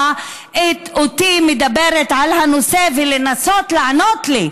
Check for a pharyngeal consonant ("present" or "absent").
present